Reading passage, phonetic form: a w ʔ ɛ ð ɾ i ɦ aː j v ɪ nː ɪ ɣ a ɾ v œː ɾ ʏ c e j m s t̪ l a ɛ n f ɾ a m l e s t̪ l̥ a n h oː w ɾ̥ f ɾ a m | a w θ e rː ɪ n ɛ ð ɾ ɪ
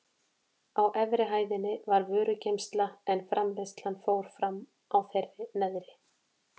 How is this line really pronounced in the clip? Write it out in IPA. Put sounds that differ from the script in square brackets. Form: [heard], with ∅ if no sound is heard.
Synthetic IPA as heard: a w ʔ ɛ [v] ɾ [ɪ] ɦ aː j [ð] ɪ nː ɪ [v] a ɾ v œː ɾ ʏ c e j m s t̪ l a ɛ n f ɾ a m l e s t̪ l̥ a n [f] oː w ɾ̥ f ɾ a m | a w θ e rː ɪ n ɛ ð ɾ ɪ